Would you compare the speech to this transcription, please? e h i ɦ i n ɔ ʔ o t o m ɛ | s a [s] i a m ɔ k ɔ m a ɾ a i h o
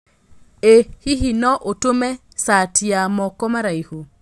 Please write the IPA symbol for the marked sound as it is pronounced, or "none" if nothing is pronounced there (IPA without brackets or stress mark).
t